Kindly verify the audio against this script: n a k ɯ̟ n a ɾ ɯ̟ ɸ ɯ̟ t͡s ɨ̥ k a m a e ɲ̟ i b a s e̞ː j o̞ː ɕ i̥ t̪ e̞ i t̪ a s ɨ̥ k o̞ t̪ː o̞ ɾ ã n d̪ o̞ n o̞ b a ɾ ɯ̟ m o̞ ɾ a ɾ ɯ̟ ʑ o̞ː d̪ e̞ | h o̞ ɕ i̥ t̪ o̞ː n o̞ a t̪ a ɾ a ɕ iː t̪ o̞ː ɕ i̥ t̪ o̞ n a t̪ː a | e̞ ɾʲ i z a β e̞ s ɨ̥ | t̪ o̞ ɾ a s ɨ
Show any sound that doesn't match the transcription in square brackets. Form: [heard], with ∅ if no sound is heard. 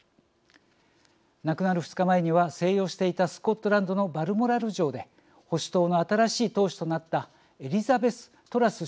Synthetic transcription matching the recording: n a k ɯ̟ n a ɾ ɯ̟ ɸ ɯ̟ t͡s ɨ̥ k a m a e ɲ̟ i [β] a s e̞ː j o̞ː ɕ i̥ t̪ e̞ i t̪ a s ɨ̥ k o̞ t̪ː o̞ ɾ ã n d̪ o̞ n o̞ b a ɾ ɯ̟ m o̞ ɾ a ɾ ɯ̟ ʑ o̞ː d̪ e̞ | h o̞ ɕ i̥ t̪ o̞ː n o̞ a t̪ a ɾ a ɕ iː t̪ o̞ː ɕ i̥ t̪ o̞ n a t̪ː a | e̞ ɾʲ i z a [b] e̞ s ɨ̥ | t̪ o̞ ɾ a s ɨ

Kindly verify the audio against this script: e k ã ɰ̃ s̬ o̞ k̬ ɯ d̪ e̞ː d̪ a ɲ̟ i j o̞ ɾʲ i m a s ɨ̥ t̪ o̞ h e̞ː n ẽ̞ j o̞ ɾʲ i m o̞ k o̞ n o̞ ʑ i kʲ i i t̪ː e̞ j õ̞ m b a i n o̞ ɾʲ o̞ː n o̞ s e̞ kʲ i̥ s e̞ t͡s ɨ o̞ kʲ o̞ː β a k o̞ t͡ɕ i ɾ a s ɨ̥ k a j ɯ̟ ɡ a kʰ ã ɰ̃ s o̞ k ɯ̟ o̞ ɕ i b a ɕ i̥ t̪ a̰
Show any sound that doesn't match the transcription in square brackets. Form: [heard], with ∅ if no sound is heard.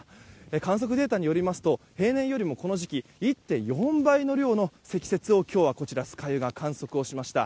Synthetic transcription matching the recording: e k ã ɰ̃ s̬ o̞ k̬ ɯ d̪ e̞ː [t̪] a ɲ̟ i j o̞ ɾʲ i m a s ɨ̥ t̪ o̞ h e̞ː n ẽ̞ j o̞ ɾʲ i m o̞ k o̞ n o̞ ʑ i kʲ i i t̪ː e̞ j õ̞ m b a i n o̞ ɾʲ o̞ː n o̞ s e̞ kʲ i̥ s e̞ t͡s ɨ o̞ kʲ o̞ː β a k o̞ t͡ɕ i ɾ a s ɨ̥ k a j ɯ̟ ɡ a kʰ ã ɰ̃ s o̞ k ɯ̟ o̞ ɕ i [m] a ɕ i̥ t̪ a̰

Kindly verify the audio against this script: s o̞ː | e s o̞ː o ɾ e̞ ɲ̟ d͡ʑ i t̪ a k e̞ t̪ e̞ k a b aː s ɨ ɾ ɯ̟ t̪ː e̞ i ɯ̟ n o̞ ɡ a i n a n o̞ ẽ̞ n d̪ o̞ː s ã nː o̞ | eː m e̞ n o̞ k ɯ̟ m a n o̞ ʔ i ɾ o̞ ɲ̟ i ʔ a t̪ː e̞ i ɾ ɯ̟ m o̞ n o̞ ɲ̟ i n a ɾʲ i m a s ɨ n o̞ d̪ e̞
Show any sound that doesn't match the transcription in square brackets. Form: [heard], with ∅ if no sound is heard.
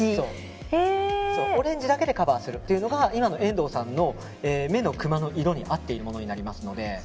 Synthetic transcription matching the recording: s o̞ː | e s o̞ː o ɾ [ẽ̞] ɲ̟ d͡ʑ i [d̪] a k e̞ [d̪] e̞ k a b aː s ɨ ɾ ɯ̟ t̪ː e̞ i ɯ̟ n o̞ ɡ a i [m] a n o̞ ẽ̞ n d̪ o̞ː s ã nː o̞ | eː m e̞ n o̞ k ɯ̟ m a n o̞ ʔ i ɾ o̞ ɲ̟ i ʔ a t̪ː e̞ i ɾ ɯ̟ m o̞ n o̞ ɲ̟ i n a ɾʲ i m a s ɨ n o̞ d̪ e̞

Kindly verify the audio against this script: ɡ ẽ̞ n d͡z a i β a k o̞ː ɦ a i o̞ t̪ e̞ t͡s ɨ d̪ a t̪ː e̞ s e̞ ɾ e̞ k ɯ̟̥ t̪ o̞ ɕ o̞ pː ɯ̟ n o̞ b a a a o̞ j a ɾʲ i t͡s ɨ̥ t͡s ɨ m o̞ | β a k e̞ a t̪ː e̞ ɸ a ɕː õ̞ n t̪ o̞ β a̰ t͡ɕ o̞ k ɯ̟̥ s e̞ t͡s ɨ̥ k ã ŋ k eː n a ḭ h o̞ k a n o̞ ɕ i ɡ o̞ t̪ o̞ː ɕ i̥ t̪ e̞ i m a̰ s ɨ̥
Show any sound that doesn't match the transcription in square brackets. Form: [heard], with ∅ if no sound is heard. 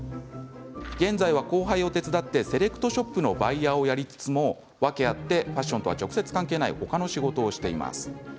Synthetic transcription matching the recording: ɡ ẽ̞ n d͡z a i β a k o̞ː ɦ a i o̞ t̪ e̞ t͡s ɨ d̪ a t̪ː e̞ s e̞ ɾ e̞ k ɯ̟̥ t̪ o̞ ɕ o̞ pː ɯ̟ n o̞ b a [i] a o̞ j a ɾʲ i t͡s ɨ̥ t͡s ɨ m o̞ | β a k e̞ a t̪ː e̞ ɸ a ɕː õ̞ n t̪ o̞ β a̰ t͡ɕ o̞ k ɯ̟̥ s e̞ t͡s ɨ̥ k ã ŋ k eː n a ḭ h o̞ k a n o̞ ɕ i ɡ o̞ t̪ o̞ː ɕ i̥ t̪ e̞ i m a̰ s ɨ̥

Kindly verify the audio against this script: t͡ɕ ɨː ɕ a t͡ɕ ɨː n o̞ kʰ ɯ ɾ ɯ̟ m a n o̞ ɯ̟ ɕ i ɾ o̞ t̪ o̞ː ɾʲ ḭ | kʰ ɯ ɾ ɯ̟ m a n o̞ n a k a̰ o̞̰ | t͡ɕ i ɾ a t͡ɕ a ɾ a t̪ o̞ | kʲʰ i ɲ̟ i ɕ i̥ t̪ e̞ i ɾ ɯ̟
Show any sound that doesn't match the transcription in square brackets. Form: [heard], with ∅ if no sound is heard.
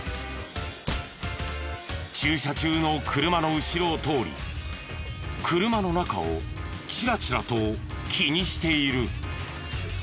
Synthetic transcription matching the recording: t͡ɕ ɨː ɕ a t͡ɕ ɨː n o̞ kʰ ɯ ɾ ɯ̟ m a n o̞ ɯ̟ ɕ i ɾ o̞ t̪ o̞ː ɾʲ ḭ | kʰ ɯ ɾ ɯ̟ m a n o̞ n a k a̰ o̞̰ | t͡ɕ i ɾ a t͡ɕ [i] ɾ a t̪ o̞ | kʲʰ i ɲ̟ i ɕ i̥ t̪ e̞ i ɾ ɯ̟

